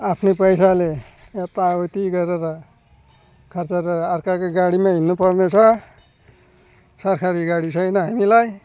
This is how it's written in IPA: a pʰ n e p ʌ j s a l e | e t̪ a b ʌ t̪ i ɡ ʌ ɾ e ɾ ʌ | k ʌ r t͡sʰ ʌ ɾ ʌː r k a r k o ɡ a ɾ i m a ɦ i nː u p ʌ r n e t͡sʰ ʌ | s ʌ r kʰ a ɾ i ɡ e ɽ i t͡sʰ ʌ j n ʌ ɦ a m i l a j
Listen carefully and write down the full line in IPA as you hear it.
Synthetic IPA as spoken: a pʰ n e p ʌ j s a l e | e t̪ a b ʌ t̪ i ɡ ʌ ɾ e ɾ ʌ | kʰ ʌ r t͡s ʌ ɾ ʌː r k a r k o ɡ a ɽ i m a ɦ i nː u p ʌ r n e t͡sʰ ʌ | s ʌ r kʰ a ɾ i ɡ a ɽ i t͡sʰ ʌ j n ʌ ɦ a m i l a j